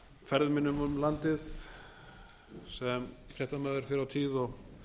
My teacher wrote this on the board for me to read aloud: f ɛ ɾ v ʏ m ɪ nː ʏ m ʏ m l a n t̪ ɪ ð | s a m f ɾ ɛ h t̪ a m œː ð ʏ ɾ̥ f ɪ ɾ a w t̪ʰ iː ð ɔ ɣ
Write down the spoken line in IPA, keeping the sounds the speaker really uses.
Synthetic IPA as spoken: f ɛ ɾ ð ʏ m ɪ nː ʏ m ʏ m l a n t̪ ɪ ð | s ɛ m f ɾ ɛ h t̪ a m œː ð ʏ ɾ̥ f ɪ ɾ a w t̪ʰ iː ð ɔ ɣ